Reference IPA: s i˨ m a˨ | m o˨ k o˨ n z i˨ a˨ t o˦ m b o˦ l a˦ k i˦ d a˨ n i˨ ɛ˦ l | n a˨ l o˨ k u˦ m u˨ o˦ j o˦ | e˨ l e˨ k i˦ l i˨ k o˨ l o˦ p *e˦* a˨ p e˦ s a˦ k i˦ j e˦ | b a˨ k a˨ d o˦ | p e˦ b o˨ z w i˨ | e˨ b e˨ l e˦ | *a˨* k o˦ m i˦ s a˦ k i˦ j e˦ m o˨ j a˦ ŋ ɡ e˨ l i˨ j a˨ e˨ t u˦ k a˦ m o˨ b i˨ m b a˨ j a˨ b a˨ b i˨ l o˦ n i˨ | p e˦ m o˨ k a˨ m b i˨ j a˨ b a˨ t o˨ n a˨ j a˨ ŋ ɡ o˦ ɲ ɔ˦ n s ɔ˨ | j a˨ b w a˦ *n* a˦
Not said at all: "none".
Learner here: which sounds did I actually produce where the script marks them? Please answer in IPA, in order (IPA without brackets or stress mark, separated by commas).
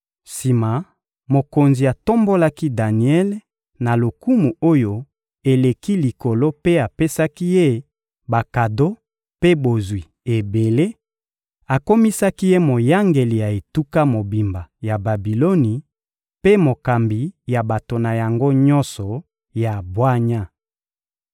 e˦, a˨, ɲ